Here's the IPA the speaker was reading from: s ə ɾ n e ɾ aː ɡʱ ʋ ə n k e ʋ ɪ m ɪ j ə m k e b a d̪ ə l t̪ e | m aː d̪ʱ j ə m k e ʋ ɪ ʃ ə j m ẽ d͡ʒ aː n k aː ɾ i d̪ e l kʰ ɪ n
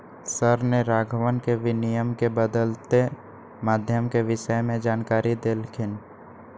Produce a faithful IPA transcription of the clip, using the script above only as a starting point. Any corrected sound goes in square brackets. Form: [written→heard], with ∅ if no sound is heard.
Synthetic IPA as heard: s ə ɾ n e ɾ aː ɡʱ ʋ ə n k e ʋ ɪ [m→n] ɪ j ə m k e b [a→ə] d̪ ə l t̪ e | m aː d̪ʱ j ə m k e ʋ ɪ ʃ ə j m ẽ d͡ʒ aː n k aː ɾ i d̪ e l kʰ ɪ n